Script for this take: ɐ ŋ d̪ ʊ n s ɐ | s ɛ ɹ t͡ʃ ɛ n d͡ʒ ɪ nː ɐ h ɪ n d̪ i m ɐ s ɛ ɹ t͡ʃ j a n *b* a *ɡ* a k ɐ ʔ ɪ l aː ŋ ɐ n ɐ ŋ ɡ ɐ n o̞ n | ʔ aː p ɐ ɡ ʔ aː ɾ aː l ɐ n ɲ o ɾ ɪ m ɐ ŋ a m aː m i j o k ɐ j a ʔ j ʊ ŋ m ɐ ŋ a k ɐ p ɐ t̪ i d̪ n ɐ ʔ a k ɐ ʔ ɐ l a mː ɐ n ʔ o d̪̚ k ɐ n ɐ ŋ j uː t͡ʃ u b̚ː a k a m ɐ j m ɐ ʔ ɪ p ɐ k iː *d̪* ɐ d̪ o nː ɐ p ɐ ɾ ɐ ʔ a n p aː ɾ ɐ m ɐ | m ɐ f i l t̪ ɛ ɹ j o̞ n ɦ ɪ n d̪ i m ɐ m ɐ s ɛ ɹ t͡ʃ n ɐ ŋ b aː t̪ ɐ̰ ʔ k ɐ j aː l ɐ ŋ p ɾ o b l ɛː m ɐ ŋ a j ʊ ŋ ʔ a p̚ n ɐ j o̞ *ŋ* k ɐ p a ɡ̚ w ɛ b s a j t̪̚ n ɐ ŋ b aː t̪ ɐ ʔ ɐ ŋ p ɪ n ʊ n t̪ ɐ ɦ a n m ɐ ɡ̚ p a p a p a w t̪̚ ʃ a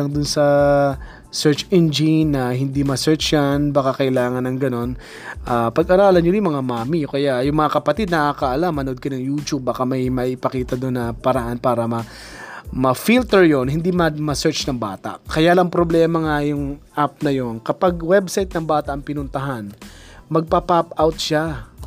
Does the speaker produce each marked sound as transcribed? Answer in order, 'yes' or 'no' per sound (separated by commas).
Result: yes, no, no, no